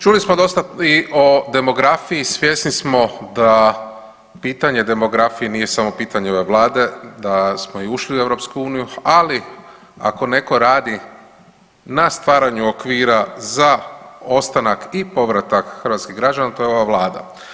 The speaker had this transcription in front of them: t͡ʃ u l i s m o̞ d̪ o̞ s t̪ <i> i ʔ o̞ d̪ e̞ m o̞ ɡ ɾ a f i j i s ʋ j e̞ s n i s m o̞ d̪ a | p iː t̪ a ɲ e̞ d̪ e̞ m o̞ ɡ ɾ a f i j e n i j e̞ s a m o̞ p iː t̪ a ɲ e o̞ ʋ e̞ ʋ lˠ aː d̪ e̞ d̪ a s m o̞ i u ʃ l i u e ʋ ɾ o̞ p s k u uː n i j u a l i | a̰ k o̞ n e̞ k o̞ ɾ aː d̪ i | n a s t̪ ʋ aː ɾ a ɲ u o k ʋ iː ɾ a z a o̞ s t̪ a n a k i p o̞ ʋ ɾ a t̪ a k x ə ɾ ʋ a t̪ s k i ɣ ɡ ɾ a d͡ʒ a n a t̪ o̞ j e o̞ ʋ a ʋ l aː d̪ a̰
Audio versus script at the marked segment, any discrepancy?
yes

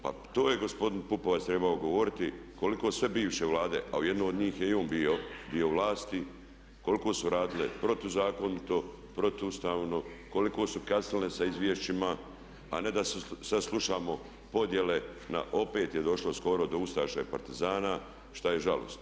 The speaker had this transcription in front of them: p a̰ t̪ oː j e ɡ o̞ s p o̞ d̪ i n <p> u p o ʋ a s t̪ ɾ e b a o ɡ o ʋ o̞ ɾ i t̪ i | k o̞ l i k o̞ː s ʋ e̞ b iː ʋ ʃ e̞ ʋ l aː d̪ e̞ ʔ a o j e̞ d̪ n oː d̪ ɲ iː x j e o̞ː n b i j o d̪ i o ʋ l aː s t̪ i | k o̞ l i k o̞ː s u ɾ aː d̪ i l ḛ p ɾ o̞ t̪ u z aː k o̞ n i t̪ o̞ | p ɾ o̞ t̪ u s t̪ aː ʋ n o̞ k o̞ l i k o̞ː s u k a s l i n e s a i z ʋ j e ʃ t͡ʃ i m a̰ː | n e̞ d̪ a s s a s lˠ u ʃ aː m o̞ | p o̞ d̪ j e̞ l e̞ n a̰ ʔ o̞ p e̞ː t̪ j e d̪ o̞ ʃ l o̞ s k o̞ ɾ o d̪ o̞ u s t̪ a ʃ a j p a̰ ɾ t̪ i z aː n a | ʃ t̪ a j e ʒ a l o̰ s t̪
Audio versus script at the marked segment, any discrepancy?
no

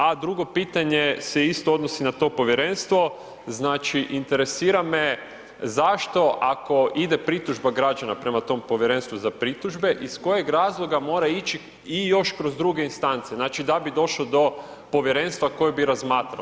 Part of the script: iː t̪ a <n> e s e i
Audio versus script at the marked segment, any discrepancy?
yes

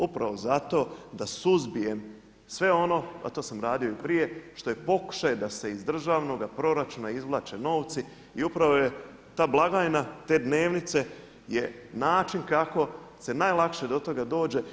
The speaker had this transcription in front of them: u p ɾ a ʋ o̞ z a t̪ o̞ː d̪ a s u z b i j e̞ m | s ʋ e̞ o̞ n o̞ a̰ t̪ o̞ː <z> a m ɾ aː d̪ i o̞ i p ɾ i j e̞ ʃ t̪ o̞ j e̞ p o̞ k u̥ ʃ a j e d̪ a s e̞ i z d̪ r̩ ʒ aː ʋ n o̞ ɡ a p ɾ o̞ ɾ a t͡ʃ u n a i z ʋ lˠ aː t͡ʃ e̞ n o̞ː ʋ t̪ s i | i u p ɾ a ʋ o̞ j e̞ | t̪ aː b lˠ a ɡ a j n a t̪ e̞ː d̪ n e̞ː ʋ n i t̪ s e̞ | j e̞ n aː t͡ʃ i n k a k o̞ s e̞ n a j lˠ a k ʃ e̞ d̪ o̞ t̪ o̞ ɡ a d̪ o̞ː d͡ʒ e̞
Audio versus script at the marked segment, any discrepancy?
yes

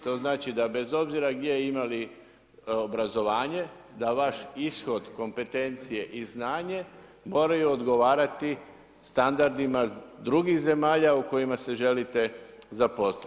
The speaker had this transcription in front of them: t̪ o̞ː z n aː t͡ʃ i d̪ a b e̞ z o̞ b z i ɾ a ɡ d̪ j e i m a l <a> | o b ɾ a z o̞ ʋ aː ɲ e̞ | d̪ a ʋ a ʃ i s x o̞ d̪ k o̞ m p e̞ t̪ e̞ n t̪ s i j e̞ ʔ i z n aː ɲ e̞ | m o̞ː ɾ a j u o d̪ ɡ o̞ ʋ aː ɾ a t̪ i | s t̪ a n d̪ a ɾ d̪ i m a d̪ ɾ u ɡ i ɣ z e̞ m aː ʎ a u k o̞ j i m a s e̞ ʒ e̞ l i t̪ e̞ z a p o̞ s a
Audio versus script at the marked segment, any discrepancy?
yes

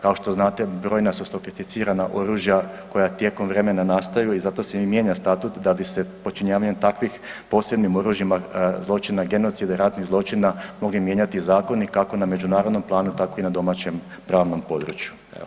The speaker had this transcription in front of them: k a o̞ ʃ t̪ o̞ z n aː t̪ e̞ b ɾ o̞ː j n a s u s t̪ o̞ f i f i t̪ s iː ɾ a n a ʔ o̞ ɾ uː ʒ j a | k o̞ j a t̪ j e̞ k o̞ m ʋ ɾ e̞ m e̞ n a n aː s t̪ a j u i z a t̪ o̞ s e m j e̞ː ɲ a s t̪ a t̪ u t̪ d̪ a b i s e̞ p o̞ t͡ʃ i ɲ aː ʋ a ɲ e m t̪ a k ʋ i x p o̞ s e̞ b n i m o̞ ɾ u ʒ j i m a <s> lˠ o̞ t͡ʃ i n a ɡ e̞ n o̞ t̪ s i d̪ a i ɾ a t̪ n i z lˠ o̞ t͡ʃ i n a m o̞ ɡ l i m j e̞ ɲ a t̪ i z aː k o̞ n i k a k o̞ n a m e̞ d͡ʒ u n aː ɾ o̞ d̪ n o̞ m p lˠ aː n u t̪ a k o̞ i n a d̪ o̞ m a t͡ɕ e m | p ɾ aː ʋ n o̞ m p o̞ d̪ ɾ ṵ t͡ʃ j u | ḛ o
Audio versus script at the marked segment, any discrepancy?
yes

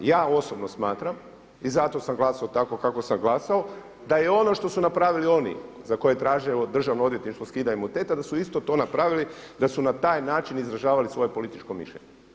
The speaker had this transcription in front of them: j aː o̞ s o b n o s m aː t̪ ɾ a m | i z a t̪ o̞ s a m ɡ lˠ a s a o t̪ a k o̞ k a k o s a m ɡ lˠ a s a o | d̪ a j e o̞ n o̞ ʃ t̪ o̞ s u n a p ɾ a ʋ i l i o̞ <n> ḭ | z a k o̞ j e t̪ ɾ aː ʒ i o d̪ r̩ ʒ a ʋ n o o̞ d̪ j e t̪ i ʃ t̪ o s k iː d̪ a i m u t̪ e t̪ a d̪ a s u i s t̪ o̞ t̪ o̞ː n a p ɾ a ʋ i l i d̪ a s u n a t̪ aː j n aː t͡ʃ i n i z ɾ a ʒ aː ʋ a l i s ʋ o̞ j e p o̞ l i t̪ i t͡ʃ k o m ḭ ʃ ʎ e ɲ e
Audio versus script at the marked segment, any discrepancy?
no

